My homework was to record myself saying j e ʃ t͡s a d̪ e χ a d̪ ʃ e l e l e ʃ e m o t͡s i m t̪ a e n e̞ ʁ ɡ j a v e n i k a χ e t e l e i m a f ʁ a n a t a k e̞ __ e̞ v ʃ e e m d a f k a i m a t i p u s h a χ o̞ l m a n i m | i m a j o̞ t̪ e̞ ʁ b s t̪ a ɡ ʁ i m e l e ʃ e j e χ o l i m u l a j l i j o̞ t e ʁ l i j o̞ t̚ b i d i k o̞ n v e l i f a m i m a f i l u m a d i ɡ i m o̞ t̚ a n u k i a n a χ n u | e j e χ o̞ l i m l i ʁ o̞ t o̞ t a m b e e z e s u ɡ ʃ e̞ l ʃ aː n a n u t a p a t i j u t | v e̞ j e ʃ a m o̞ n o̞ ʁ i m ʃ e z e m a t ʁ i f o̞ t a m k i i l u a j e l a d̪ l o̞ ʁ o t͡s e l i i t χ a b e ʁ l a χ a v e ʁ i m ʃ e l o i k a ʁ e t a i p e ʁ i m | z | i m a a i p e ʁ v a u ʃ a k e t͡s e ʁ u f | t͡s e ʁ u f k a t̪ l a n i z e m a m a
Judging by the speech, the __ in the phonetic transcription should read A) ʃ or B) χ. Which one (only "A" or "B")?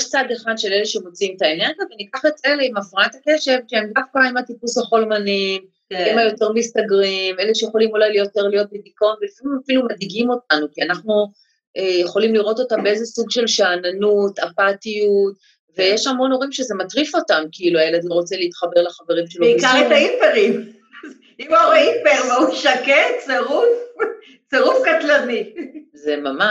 A